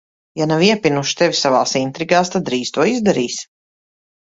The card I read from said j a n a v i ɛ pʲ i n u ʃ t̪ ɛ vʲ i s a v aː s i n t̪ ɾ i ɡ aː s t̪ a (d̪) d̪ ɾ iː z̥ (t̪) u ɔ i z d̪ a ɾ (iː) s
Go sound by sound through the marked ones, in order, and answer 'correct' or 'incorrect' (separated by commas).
correct, correct, correct